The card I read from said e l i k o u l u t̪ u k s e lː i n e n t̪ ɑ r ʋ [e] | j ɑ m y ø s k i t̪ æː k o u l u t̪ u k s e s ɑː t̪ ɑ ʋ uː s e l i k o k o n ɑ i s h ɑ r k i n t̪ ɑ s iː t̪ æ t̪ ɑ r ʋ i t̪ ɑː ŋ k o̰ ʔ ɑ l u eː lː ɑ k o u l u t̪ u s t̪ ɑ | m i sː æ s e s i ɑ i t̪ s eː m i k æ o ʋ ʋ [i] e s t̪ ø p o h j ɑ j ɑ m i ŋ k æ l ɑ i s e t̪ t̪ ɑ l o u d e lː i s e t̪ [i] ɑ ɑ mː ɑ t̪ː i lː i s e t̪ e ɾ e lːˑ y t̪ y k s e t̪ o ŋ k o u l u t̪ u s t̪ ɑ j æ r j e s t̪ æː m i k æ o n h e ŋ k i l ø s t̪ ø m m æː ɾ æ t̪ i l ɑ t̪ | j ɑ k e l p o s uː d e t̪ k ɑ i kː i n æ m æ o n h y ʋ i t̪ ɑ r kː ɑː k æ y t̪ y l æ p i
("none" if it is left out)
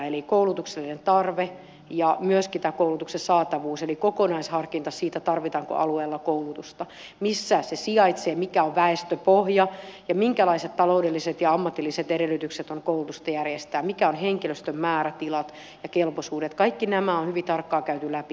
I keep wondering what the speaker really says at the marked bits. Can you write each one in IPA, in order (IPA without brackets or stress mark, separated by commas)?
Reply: e, æ, j